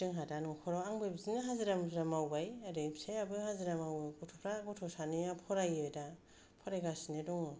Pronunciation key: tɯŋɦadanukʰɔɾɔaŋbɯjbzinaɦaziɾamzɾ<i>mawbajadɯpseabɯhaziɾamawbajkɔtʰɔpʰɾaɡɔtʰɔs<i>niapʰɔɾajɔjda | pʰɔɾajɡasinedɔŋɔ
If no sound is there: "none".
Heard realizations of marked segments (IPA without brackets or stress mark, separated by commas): a, a